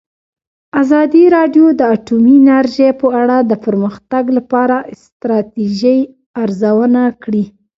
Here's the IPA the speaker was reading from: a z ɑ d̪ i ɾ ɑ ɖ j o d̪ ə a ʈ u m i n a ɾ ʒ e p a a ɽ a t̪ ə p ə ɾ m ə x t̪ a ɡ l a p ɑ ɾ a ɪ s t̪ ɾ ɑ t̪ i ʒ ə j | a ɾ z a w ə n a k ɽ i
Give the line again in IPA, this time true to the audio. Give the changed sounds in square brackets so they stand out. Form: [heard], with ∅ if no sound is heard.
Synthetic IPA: a z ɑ d̪ i ɾ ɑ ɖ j o d̪ ə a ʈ u m i n a ɾ ʒ e p [ə] a ɽ a [d̪] ə p ə ɾ m ə x t̪ a ɡ l a p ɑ ɾ a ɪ s t̪ ɾ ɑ t̪ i ʒ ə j | a ɾ z a w ə n a k ɽ i